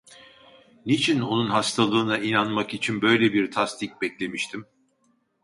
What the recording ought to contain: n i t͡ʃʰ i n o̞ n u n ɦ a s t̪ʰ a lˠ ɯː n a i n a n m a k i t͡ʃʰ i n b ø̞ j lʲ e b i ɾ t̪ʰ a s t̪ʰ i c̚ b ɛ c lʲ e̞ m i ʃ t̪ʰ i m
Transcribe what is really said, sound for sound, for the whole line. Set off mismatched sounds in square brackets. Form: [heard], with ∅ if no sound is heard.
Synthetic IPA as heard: n i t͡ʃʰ i n o̞ n u n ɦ a s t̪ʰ a lˠ ɯː n a i n a n m a k i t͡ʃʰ i n b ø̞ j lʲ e b i ɾ t̪ʰ a s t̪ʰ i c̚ b ɛ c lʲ e̞ m i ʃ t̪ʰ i m